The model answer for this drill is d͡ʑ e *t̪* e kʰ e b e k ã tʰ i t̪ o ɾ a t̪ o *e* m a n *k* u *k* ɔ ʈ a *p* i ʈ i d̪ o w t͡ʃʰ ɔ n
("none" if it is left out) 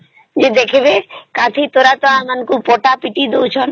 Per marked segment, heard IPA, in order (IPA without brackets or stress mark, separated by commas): d̪, a, k, p, p